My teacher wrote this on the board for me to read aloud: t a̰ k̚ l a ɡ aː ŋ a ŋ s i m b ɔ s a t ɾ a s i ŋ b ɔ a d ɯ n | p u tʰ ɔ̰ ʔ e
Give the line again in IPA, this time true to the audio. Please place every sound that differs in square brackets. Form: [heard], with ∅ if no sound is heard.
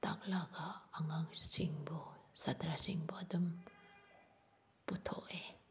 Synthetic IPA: t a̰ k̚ l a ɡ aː ŋ a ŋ s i [ŋ] b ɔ s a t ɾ a s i ŋ b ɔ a d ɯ [m] | p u tʰ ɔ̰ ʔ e